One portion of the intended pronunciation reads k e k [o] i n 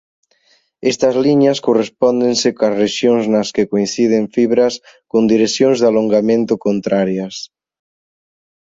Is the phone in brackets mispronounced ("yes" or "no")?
no